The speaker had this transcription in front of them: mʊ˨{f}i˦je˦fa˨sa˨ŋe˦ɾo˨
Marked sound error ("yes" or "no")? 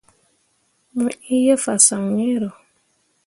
yes